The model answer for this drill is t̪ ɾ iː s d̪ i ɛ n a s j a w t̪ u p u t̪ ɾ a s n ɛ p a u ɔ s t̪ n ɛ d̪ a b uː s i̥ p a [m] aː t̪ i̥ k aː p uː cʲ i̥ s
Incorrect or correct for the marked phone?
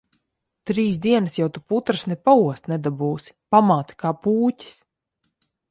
correct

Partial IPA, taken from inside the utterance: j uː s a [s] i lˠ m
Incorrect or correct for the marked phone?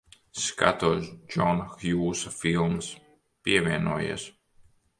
incorrect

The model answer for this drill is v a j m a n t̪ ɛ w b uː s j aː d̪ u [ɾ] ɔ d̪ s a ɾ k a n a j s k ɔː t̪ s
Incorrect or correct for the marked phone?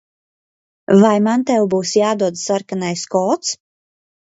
incorrect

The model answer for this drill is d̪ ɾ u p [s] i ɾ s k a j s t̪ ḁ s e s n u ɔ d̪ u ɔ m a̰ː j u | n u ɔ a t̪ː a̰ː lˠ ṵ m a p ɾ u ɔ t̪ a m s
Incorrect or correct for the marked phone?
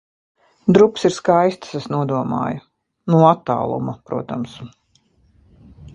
correct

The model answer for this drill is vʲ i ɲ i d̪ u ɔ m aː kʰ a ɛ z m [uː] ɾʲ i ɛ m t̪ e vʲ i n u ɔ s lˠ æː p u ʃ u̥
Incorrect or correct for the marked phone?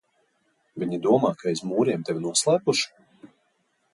correct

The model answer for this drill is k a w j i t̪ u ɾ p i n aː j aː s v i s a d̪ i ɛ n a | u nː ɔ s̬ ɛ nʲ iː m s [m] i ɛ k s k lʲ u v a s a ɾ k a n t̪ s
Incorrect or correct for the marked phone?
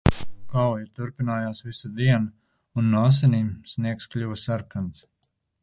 incorrect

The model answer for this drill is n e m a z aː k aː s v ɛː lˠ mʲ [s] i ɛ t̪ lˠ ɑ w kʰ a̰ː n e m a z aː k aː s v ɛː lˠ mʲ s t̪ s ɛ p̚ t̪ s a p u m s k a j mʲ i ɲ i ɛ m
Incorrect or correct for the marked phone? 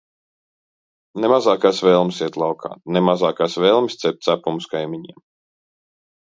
correct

